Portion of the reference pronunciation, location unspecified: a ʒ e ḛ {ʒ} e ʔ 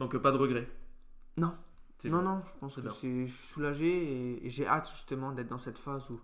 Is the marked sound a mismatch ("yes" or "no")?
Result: no